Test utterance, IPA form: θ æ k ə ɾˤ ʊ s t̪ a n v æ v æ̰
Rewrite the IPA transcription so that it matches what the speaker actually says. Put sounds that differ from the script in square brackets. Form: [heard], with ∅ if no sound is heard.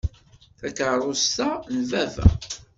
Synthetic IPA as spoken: θ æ k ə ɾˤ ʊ s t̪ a n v æ v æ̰